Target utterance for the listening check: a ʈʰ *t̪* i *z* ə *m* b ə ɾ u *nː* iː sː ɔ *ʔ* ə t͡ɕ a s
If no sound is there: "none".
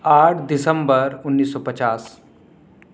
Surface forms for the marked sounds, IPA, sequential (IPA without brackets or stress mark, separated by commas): d̪, s, m, nː, p